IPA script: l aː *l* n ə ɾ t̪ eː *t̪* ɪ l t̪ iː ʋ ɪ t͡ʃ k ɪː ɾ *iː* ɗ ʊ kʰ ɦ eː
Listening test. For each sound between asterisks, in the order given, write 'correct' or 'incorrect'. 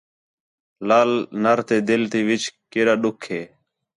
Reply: correct, incorrect: d̪, incorrect: aː

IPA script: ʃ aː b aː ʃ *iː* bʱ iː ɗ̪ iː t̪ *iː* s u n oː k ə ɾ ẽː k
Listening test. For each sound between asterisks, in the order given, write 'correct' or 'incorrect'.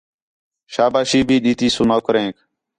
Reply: correct, correct

